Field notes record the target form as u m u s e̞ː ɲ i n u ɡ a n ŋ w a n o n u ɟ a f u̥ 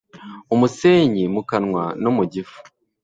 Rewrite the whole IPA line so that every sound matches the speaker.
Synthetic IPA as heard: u m u s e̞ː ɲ i m u k a n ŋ w a n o m u ɟ i f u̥

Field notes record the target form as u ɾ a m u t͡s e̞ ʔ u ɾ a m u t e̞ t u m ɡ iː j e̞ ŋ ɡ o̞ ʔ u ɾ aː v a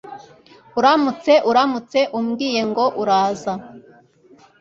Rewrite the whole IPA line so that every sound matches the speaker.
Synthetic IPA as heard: u ɾ a m u t͡s e̞ ʔ u ɾ a m u t͡s e̞ ʔ u m ɡ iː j e̞ ŋ ɡ o̞ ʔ u ɾ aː z a

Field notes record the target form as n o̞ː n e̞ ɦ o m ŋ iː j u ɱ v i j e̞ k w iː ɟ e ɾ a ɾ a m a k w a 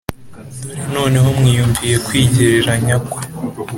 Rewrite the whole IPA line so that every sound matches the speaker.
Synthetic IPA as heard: n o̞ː n e̞ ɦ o m ŋ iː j u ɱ v i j e̞ k w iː ɟ e ɾ e ɾ a ɲ a k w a

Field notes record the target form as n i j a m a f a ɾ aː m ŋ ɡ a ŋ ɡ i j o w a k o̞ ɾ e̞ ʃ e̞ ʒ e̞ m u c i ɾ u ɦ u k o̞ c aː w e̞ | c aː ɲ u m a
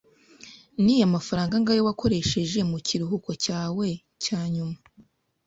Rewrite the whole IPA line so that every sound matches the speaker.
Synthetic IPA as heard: n i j a m a f a ɾ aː ŋ ɡ a ŋ ɡ a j o w a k o̞ ɾ e̞ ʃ e̞ ʒ e̞ m u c i ɾ u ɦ u k o̞ c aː w e̞ | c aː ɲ u m a

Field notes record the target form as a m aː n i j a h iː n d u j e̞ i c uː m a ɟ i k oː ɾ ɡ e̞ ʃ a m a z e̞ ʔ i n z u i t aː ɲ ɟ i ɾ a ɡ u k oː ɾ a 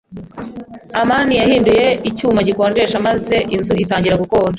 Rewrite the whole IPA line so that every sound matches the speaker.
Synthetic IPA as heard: a m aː n i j a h iː n d u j e̞ i c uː m a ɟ i k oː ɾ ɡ e̞ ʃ a m a z e̞ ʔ i n z u i t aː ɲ ɟ i ɾ a ɡ u k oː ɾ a

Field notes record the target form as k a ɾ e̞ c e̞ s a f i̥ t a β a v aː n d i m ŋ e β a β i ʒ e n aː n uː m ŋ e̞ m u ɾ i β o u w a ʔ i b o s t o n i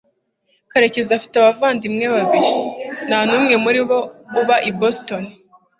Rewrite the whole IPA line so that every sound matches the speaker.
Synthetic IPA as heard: k a ɾ e̞ c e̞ z a f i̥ t a β a v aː n d i m ŋ e β a β i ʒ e n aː n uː m ŋ e̞ m u ɾ i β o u β a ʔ i b o s t o n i

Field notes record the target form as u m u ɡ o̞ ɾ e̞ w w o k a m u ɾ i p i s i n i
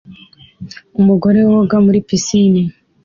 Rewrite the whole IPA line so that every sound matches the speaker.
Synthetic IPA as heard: u m u ɡ o̞ ɾ e̞ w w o ɡ a m u ɾ i p i s i n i

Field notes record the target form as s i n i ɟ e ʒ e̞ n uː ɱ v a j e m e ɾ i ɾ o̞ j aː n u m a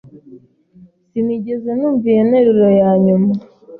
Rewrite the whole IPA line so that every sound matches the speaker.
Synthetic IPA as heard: s i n i ɟ e z e̞ n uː ɱ v i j e n e ɾ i ɾ o̞ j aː ɲ u m a

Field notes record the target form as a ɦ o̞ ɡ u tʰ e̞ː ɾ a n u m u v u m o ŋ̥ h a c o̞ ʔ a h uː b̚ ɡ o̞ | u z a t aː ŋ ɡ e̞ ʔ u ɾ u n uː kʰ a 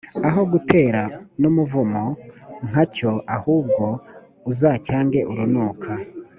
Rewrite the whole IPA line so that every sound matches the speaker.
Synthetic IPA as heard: a ɦ o̞ ɡ u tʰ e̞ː ɾ a n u m u v u m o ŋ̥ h a c o̞ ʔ a h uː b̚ ɡ o̞ | u z a c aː ŋ ɡ e̞ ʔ u ɾ u n uː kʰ a

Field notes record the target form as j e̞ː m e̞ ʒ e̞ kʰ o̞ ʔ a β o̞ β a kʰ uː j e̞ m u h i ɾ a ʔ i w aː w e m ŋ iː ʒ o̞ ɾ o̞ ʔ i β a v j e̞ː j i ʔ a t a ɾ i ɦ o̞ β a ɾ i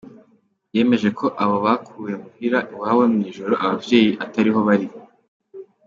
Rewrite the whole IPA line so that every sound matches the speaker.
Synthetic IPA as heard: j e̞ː m e̞ ʒ e̞ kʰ o̞ ʔ a β o̞ β a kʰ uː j e̞ m u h i ɾ a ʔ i w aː w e m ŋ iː ʒ o̞ ɾ o̞ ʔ a β a v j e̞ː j i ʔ a t a ɾ i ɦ o̞ β a ɾ i

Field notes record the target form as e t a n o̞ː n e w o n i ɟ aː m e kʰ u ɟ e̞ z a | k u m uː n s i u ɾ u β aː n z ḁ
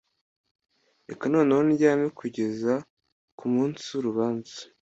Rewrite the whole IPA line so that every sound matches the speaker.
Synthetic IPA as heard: e k a n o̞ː n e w o n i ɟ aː m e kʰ u ɟ e̞ z a | k u m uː n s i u ɾ u β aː n z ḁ

